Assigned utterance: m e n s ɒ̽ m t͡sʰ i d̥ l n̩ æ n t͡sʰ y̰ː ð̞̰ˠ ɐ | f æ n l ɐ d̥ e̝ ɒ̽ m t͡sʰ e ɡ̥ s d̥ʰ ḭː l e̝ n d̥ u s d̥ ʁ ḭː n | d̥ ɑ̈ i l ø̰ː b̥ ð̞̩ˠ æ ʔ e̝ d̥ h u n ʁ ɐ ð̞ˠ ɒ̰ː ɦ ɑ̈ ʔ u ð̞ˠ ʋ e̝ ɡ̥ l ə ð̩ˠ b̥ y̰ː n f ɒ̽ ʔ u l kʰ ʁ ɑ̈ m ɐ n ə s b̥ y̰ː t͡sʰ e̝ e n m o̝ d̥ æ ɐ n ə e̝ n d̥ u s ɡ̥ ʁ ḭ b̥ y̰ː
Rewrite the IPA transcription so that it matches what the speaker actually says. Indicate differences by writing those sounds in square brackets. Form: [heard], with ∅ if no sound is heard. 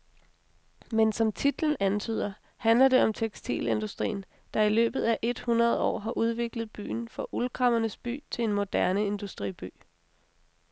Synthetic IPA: m e n s ɒ̽ m t͡sʰ i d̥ l n̩ æ n t͡sʰ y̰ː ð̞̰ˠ ɐ | [h] æ n l ɐ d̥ e̝ ɒ̽ m t͡sʰ e ɡ̥ s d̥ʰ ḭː l e̝ n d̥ u s d̥ ʁ ḭː n | d̥ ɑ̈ i l ø̰ː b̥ ð̞̩ˠ æ ʔ e̝ d̥ h u n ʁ ɐ ð̞ˠ ɒ̰ː ɦ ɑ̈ ʔ u ð̞ˠ ʋ e̝ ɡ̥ l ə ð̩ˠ b̥ y̰ː n f ɒ̽ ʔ u l kʰ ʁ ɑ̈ m ɐ n ə s b̥ y̰ː t͡sʰ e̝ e n m o̝ d̥ æ ɐ n ə e̝ n d̥ u s [d̥] ʁ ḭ b̥ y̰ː